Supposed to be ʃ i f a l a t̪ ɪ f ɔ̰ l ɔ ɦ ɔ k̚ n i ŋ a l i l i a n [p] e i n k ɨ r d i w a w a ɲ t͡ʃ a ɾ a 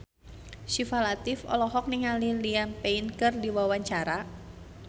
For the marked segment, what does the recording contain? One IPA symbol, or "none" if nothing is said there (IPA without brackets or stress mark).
p